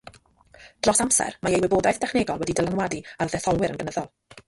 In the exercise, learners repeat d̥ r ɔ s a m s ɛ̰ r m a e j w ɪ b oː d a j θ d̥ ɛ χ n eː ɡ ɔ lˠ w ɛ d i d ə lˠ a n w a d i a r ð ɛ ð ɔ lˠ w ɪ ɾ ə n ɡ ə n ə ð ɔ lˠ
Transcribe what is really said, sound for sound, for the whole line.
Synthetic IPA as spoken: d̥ r ɔ s a m s ɛ̰ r m a e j w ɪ b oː d a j θ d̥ ɛ χ n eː ɡ ɔ lˠ w ɛ d i d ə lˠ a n w a d i a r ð ɛ θ ɔ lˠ w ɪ ɾ ə n ɡ ə n ə ð ɔ lˠ

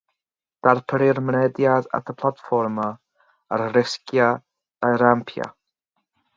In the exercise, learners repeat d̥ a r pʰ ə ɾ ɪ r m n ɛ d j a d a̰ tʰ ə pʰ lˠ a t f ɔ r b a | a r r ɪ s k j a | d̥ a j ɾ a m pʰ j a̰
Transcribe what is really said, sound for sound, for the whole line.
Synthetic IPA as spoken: d̥ a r pʰ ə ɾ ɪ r m n ɛ d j a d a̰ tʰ ə pʰ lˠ a t f ɔ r m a | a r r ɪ s k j a | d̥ a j ɾ a m pʰ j a̰

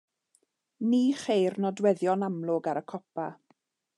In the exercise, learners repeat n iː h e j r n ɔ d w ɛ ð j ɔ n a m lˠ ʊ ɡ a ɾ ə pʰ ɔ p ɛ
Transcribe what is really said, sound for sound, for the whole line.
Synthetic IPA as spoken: n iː χ e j r n ɔ d w ɛ ð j ɔ n a m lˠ ʊ ɡ a ɾ ə kʰ ɔ p a

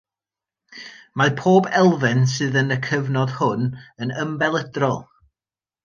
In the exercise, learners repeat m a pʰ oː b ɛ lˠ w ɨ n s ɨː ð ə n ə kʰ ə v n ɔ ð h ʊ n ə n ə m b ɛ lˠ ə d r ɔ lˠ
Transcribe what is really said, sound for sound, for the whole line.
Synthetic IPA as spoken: m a pʰ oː b ɛ lˠ v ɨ n s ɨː ð ə n ə kʰ ə v n ɔ ð h ʊ n ə n ə m b ɛ lˠ ə d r ɔ lˠ

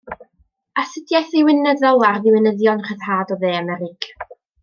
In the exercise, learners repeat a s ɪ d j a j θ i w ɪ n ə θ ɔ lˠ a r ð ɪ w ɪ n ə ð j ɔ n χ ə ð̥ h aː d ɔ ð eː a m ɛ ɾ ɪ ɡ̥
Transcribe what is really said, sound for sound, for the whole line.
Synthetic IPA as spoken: a s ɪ d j a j θ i w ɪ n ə ð ɔ lˠ a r ð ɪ w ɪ n ə ð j ɔ n χ ə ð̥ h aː d ɔ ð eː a m ɛ ɾ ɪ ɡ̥

